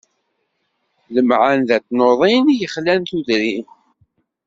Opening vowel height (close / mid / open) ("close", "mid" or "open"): mid